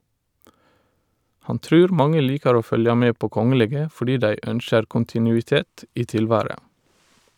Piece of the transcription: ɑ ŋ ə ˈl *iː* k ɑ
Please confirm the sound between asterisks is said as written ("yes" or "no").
yes